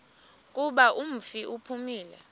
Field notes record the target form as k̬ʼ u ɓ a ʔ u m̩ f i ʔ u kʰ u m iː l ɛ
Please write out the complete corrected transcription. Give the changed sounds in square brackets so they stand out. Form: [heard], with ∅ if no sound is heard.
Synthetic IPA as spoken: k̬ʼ u ɓ a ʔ u m̩ f i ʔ u [pʰ] u m iː l ɛ